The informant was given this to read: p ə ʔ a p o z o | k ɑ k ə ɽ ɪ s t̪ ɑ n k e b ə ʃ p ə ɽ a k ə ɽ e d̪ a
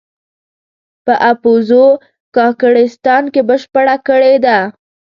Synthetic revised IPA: p ə ʔ a p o z o | k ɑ k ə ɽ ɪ s t̪ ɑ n k e b ə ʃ p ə ɽ a k ə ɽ e d̪ a